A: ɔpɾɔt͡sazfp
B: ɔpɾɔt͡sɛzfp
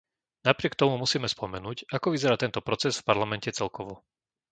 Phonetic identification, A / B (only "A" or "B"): B